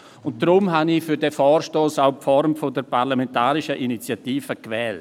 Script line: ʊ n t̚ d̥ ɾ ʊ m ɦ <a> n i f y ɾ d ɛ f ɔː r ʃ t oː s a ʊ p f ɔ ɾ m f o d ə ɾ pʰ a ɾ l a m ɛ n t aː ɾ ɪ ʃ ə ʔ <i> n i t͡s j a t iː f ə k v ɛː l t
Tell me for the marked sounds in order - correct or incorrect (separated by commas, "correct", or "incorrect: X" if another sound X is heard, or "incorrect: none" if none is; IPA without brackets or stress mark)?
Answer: correct, correct